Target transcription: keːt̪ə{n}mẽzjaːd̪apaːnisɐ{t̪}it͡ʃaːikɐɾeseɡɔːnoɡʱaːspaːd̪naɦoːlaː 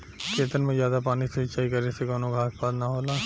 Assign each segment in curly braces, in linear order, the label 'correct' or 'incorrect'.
correct, incorrect: none

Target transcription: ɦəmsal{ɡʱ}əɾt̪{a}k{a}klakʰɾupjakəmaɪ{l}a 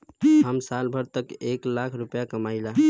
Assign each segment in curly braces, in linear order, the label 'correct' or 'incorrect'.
incorrect: bʱ, incorrect: ə, incorrect: e, correct

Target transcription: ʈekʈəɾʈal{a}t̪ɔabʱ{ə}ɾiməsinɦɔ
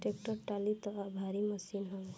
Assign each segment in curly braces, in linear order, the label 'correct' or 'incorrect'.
incorrect: i, incorrect: a

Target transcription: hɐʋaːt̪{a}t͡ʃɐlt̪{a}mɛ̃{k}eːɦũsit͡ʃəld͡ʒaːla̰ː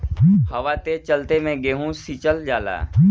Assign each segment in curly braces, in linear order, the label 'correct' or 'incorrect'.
incorrect: e, incorrect: e, incorrect: ɡ

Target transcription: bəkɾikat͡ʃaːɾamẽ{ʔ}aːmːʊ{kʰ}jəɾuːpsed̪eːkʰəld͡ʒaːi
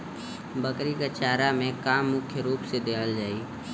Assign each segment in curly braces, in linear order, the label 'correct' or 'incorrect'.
incorrect: k, correct

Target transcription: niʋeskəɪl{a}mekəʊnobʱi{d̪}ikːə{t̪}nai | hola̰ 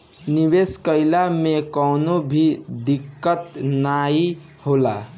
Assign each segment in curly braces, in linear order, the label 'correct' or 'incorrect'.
correct, correct, correct

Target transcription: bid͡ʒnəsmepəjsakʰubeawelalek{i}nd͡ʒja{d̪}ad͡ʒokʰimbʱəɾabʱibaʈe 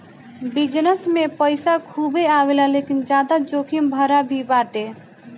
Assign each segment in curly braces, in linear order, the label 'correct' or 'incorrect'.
correct, correct

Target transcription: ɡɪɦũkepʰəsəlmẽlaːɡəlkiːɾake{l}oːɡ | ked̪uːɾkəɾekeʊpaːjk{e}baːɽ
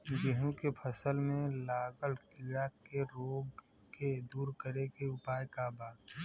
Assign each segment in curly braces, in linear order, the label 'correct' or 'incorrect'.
incorrect: ɾ, incorrect: a

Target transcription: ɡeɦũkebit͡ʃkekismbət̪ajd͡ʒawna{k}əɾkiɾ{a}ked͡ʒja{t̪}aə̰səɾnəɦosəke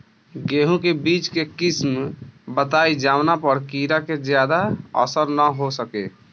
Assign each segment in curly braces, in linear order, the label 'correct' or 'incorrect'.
incorrect: p, correct, incorrect: d̪

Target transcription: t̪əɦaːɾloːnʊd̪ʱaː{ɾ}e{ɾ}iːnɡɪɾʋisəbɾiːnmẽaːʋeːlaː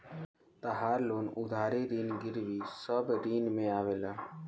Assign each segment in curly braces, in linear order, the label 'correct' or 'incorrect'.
correct, correct

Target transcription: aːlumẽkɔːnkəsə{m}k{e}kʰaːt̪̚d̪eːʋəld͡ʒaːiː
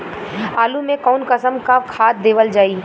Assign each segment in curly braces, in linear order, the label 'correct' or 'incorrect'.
correct, incorrect: a

